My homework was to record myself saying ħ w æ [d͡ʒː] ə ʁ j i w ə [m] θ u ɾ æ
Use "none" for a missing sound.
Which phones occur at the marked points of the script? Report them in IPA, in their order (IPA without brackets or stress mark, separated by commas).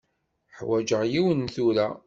d͡ʒ, n